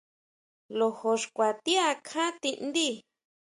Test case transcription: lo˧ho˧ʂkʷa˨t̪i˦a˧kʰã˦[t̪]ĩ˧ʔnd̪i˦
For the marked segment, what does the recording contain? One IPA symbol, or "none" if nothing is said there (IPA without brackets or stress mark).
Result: t̪